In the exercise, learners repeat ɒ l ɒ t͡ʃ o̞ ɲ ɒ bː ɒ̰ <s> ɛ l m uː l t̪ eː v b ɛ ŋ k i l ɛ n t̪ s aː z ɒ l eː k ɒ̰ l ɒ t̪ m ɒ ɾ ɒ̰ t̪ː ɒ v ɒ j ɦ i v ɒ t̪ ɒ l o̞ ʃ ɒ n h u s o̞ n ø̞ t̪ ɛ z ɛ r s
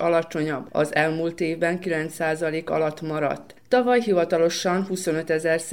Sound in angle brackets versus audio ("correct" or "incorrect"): incorrect